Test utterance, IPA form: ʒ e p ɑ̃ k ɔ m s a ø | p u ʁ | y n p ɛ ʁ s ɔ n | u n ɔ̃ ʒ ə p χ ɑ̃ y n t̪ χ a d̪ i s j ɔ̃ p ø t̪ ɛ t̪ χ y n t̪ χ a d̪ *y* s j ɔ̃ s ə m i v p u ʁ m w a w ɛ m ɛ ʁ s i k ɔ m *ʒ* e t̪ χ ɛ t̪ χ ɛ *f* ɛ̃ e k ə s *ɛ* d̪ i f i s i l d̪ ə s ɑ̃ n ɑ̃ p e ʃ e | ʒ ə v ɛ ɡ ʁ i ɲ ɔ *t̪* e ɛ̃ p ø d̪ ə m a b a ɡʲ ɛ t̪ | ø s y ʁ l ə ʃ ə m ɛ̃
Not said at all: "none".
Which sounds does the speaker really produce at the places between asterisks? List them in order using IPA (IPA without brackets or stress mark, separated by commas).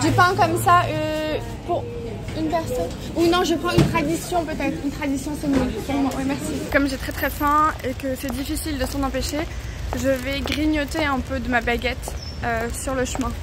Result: i, ʒ, f, ɛ, t̪